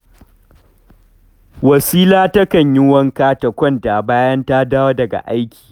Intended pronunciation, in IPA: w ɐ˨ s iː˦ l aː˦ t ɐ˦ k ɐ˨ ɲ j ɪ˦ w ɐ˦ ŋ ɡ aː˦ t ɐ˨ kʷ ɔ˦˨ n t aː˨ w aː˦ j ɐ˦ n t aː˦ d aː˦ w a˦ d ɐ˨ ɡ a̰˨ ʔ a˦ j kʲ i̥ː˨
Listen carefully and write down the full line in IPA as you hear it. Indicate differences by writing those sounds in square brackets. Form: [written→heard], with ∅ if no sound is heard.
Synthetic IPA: w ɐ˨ s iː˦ l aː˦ t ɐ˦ k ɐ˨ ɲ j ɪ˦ w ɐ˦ ŋ [ɡ→k] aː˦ t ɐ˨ kʷ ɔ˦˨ n t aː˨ [w→b] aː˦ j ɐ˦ n t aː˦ d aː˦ w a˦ d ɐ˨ ɡ a̰˨ ʔ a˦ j kʲ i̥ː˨